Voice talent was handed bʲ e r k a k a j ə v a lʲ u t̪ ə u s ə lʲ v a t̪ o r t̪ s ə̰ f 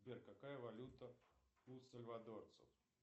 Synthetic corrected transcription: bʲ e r k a k a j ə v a lʲ u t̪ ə u s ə lʲ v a d̪ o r t̪ s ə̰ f